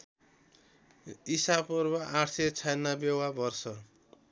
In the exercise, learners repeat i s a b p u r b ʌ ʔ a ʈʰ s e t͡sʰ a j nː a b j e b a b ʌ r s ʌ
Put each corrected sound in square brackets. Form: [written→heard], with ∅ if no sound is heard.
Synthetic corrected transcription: i s a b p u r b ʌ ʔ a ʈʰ s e t͡sʰ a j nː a b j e [b→w] a b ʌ r s ʌ